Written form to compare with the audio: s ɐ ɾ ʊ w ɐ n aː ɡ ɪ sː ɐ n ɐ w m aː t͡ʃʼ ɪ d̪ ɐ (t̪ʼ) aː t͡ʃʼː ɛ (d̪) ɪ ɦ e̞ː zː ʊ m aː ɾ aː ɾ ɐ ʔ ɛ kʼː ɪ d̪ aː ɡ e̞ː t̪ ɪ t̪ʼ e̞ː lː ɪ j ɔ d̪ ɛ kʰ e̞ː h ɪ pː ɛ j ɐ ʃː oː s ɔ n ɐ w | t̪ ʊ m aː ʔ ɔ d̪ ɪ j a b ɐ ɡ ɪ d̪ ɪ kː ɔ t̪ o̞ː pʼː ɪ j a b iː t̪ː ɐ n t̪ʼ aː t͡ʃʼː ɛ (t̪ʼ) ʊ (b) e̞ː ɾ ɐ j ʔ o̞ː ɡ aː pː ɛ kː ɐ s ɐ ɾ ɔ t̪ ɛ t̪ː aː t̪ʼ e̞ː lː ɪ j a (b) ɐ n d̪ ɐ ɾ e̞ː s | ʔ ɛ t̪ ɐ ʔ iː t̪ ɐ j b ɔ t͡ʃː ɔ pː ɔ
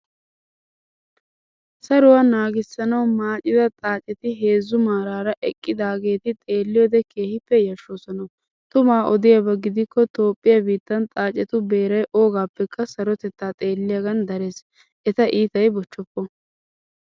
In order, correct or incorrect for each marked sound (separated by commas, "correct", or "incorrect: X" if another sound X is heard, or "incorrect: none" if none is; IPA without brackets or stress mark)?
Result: correct, incorrect: t̪, incorrect: t̪, correct, incorrect: ɡ